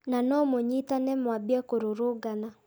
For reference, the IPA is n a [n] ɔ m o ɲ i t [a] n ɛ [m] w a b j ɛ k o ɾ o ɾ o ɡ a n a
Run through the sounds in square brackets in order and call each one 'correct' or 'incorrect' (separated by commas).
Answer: correct, correct, correct